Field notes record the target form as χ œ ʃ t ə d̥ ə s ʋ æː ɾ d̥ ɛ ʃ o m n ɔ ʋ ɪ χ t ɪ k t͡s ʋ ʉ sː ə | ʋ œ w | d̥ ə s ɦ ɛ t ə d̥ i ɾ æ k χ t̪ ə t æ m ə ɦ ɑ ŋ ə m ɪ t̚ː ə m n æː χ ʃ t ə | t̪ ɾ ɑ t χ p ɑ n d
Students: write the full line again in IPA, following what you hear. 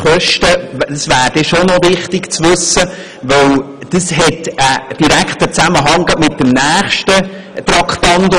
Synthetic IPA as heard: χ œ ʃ t ə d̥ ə s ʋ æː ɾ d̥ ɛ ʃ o n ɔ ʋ ɪ χ t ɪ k t͡s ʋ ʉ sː ə | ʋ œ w | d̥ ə s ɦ ɛ t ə d̥ i ɾ æ k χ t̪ ə t͡s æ m ə ɦ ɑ ŋ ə m ɪ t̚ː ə m n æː χ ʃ t ə | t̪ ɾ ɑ k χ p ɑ n d